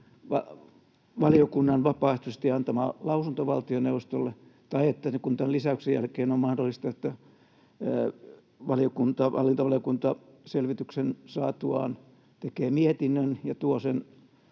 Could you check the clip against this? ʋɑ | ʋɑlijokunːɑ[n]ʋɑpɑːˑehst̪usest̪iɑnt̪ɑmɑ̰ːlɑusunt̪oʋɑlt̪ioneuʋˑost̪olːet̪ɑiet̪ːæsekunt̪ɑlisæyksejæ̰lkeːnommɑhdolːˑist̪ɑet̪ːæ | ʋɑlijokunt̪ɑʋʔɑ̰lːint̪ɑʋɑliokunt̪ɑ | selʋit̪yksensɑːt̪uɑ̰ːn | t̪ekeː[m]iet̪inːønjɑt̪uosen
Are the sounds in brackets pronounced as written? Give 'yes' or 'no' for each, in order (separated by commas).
yes, yes